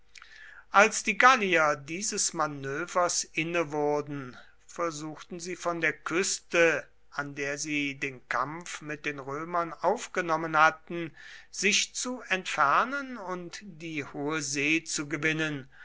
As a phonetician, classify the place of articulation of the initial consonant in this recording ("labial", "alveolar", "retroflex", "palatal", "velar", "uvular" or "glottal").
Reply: glottal